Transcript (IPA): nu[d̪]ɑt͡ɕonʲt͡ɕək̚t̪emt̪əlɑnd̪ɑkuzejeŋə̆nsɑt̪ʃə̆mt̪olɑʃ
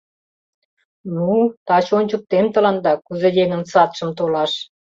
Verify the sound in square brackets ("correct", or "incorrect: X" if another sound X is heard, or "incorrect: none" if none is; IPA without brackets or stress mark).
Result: incorrect: t̪